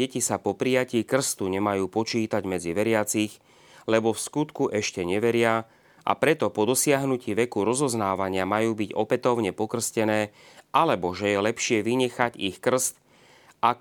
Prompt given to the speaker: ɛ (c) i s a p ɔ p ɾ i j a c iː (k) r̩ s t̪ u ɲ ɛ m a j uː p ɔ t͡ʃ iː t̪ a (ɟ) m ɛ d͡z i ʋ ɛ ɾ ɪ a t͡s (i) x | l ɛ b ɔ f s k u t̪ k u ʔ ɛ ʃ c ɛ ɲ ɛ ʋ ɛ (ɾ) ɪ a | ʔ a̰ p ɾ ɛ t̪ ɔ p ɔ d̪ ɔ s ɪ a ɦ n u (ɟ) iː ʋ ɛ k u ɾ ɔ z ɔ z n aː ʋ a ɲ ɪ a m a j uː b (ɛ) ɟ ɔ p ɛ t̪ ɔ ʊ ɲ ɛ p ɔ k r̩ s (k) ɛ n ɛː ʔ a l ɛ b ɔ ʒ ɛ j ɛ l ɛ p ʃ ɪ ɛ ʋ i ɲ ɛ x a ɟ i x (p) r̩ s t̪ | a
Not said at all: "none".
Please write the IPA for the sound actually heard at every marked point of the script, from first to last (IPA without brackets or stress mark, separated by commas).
c, k, ɟ, i, ɾ, c, i, c, k